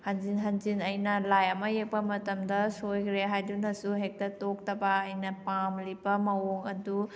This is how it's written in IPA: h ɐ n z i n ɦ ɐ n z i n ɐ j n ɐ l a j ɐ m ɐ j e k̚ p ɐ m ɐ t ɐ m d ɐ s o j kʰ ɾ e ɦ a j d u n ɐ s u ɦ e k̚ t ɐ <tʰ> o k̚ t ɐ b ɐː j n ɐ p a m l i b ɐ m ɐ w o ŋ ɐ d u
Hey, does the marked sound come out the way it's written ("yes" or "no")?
no